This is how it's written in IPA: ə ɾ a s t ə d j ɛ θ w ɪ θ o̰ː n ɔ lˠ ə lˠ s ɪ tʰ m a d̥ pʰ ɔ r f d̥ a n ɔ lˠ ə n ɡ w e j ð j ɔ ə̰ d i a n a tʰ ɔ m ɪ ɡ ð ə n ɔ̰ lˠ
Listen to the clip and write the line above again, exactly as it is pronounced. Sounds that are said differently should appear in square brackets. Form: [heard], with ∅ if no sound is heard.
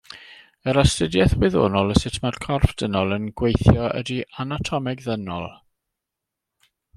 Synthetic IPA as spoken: ə ɾ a s t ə d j ɛ θ w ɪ [ð] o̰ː n ɔ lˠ ə [∅] s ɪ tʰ m a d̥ [kʰ] ɔ r f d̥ [ə] n ɔ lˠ ə n ɡ w e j [θ] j ɔ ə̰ d i a n a tʰ ɔ m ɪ ɡ ð ə n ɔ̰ lˠ